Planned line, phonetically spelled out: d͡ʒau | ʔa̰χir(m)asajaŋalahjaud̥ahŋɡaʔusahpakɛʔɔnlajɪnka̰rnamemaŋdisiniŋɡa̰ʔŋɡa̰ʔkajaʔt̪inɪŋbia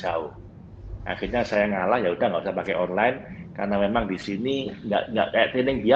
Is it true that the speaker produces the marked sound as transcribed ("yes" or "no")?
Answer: no